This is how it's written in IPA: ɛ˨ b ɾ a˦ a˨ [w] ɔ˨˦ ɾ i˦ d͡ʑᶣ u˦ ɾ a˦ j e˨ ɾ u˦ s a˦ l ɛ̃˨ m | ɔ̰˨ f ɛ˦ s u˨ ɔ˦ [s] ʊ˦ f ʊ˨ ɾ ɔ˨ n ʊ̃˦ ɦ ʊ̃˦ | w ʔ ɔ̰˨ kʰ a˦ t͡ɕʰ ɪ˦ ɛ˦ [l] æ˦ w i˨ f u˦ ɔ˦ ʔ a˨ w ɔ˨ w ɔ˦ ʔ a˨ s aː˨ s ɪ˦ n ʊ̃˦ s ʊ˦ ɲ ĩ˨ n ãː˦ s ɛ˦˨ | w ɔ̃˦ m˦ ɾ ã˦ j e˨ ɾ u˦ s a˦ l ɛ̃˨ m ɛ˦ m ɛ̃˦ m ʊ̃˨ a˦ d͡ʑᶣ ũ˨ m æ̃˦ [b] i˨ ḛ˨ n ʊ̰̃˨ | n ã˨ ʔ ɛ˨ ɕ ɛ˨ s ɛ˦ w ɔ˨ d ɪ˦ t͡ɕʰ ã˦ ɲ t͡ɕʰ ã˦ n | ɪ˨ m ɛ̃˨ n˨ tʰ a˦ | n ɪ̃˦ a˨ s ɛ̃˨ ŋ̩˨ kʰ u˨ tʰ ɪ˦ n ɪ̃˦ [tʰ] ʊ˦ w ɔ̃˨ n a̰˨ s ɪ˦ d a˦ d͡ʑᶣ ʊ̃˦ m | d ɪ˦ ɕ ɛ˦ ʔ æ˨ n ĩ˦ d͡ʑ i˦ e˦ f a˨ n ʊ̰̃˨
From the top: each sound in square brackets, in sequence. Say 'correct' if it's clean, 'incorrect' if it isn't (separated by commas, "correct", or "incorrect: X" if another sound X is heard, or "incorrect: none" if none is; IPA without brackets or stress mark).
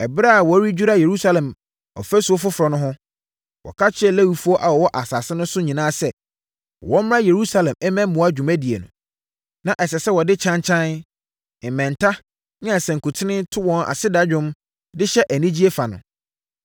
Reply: correct, incorrect: f, correct, incorrect: d, correct